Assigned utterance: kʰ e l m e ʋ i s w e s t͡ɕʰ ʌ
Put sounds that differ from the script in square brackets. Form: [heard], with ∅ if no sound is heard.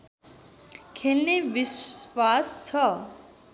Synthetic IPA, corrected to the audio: kʰ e l [n] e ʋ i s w [a] s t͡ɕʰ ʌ